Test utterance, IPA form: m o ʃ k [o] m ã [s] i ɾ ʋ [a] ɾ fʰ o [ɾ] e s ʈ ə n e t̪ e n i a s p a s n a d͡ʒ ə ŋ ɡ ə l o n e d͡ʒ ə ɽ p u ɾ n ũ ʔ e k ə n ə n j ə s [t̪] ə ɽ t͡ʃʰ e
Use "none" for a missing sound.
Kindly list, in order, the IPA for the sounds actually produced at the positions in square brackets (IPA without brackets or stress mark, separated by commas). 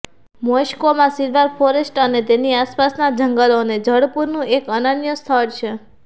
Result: o, s, a, ɾ, t̪ʰ